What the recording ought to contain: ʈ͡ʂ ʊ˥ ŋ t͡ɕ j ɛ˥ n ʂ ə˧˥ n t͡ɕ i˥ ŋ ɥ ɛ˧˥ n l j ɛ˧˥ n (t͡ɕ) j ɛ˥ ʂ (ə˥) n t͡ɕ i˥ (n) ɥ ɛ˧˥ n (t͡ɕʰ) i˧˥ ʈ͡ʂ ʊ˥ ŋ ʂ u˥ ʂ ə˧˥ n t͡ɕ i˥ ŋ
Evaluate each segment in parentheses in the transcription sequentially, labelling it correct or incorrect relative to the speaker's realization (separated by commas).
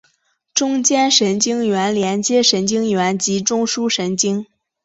correct, incorrect, incorrect, incorrect